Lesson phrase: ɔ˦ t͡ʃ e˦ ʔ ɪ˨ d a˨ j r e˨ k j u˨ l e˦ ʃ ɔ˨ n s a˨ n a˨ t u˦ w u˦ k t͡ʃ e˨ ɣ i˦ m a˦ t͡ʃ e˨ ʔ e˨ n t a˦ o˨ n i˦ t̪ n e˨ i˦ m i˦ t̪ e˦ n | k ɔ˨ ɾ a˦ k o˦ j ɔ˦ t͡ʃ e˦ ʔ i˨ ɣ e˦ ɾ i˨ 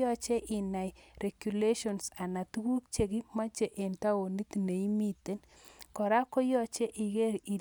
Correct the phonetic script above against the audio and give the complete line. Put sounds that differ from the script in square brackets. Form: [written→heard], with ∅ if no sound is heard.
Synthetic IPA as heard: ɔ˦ t͡ʃ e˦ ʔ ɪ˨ [d→n] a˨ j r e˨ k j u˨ l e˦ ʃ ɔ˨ n s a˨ n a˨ t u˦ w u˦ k t͡ʃ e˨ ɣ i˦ m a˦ t͡ʃ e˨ ʔ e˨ n t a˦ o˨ n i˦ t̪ n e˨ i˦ m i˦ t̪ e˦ n | k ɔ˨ ɾ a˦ k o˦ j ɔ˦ t͡ʃ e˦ ʔ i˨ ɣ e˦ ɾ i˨